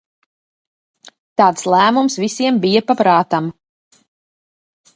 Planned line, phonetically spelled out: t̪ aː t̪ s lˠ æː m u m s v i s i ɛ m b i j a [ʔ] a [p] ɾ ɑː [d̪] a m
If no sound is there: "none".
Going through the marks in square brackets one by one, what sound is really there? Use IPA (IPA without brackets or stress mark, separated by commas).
p, p, t̪